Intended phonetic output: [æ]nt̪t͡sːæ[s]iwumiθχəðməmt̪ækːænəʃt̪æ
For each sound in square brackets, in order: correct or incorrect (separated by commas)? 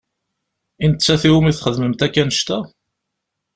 incorrect, incorrect